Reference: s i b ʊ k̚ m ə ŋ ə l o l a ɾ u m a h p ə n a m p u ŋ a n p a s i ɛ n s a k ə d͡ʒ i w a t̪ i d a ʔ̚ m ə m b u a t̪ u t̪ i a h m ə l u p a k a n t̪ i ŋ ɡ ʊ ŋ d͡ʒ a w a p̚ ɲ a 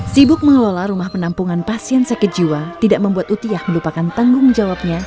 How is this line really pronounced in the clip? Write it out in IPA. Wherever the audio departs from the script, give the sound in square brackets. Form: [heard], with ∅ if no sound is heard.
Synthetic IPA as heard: s i b ʊ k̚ m ə ŋ ə l o l a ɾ u m a h p ə n a m p u ŋ a n p a s i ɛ n s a k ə d͡ʒ i w a t̪ i d a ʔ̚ m ə m b u a t̪ u t̪ i a h m ə l u p a k a n t̪ [a] ŋ ɡ ʊ ŋ d͡ʒ a w a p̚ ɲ a

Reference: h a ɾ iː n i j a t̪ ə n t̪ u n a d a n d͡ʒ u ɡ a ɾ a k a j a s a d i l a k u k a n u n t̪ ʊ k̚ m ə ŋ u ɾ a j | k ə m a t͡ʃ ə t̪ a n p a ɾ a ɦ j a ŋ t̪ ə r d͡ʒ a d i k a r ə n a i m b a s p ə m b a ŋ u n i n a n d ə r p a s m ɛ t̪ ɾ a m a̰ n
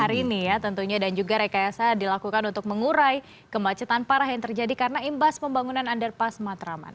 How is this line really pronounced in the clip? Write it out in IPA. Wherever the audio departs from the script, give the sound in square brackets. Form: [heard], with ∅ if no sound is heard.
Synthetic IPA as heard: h a ɾ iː n i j a t̪ ə n t̪ u [ɲ] a d a n d͡ʒ u ɡ a ɾ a k a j a s a d i l a k u k a n u n t̪ ʊ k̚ m ə ŋ u ɾ a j | k ə m a t͡ʃ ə t̪ a n p a ɾ a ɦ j a ŋ t̪ ə r d͡ʒ a d i k a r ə n a i m b a s p ə m b a ŋ u n [a] n a n d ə r p a s m [a] t̪ ɾ a m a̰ n

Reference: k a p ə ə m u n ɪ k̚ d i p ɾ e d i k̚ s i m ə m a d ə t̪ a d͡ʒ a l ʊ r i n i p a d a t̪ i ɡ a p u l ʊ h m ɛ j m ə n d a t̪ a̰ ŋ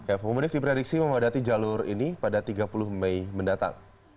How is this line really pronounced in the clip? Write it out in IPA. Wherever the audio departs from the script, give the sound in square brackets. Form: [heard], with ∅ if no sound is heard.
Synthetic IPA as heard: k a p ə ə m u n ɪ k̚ d i p ɾ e d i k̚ s i m ə m a d [a] t̪ [i] d͡ʒ a l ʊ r i n i p a d a t̪ i ɡ a p u l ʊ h m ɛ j m ə n d a t̪ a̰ ŋ

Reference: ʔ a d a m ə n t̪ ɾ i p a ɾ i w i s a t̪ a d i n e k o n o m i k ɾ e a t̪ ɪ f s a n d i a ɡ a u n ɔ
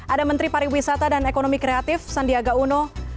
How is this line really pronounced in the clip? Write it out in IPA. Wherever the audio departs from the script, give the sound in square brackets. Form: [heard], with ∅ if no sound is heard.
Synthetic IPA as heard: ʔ a d a m ə n t̪ ɾ i p a ɾ i w i s a t̪ a d [a] n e k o n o m i k ɾ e a t̪ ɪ f s a n d i a ɡ a u n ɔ

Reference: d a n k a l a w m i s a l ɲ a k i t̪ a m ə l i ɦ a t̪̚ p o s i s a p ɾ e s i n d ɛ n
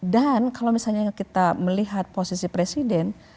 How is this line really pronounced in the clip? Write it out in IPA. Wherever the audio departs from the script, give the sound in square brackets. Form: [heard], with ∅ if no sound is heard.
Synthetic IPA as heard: d a n k a l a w m i s a l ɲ a k i t̪ a m ə l i ɦ a t̪̚ p o s i s [i] p ɾ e s i [∅] d ɛ n

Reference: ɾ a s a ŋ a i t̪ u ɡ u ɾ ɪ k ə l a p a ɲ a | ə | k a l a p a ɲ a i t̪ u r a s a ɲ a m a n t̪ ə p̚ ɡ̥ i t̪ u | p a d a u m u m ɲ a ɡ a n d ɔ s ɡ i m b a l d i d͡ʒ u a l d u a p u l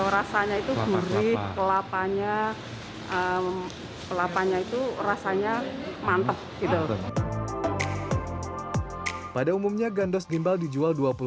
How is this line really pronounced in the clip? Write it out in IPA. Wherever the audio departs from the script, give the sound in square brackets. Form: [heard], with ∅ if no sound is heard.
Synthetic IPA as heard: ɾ a s a [ɲ] a i t̪ u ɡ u ɾ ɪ k ə l a p a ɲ a | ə | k [ə] l a p a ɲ a i t̪ u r a s a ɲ a m a n t̪ ə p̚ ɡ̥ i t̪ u | p a d a u m u m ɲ a ɡ a n d ɔ s ɡ i m b a l d i d͡ʒ u a l d u a p u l

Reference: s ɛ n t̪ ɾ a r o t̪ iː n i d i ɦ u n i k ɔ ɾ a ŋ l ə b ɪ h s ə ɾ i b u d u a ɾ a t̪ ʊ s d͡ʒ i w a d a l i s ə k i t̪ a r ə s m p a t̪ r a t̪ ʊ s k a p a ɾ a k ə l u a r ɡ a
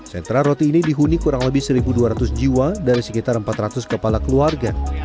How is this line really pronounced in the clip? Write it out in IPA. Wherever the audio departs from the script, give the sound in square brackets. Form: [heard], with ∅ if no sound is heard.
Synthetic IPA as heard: s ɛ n t̪ ɾ a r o t̪ iː n i d i ɦ u n i k [u] ɾ a ŋ l ə b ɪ h s ə ɾ i b u d u a ɾ a t̪ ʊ s d͡ʒ i w a d a [ɾ] i s ə k i t̪ a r ə [∅] m p a t̪ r a t̪ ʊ s k [ə] p a [l] a k ə l u a r ɡ a

